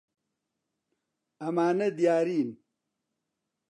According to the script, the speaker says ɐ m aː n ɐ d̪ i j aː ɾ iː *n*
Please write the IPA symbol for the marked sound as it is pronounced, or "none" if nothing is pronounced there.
n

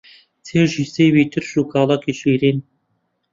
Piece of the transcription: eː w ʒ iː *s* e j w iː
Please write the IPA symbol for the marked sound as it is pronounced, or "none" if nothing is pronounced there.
s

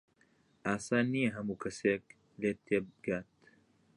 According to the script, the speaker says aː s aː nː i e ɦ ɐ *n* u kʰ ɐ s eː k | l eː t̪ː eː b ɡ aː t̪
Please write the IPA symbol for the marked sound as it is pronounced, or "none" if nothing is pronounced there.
m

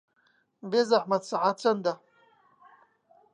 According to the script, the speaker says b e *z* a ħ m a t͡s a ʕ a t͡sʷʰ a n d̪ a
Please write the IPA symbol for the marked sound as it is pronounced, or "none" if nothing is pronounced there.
z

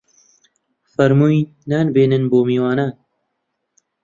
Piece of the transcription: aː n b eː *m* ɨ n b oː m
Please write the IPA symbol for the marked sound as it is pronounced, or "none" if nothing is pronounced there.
n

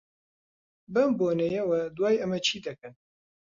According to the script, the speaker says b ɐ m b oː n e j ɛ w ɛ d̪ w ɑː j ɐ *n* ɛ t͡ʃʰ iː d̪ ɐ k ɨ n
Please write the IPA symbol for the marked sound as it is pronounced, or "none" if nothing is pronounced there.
m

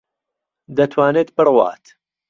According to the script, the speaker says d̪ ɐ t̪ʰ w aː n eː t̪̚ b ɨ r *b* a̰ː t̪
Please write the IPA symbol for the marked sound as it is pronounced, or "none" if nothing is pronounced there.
w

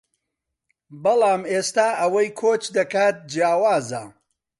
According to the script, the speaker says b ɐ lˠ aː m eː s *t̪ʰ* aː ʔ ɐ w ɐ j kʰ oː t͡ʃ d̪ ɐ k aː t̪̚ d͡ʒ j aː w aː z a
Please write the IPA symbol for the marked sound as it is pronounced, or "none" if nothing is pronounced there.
t̪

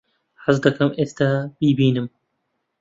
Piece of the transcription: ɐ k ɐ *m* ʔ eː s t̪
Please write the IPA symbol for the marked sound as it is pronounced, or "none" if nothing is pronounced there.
m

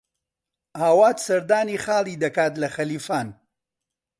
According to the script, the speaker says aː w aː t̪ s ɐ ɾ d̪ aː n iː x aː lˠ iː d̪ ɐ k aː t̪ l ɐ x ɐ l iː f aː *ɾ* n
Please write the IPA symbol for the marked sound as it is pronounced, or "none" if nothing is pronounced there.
none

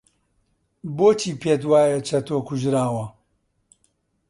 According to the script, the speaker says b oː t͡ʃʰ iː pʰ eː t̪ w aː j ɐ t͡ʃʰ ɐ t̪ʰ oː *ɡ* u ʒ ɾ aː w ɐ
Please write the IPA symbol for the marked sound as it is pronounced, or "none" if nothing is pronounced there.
k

